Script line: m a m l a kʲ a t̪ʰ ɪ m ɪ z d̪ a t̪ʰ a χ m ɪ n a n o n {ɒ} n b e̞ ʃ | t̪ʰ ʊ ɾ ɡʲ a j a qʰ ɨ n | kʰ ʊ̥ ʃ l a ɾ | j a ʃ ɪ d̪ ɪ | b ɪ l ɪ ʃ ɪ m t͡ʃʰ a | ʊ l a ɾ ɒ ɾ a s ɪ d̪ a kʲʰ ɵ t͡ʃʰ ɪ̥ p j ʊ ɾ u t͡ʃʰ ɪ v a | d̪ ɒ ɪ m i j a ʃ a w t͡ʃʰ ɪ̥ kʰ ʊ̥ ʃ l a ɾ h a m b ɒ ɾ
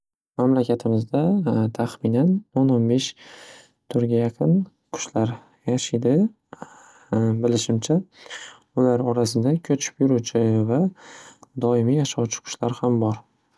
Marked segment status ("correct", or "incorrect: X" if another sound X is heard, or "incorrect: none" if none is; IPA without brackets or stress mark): incorrect: o